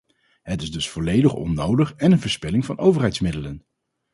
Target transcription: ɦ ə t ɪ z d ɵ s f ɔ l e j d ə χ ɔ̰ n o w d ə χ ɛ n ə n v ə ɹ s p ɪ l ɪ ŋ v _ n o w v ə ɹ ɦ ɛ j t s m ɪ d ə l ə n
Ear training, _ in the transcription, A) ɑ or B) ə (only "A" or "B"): A